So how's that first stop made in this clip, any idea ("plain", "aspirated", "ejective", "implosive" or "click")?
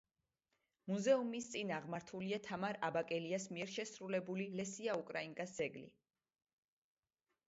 plain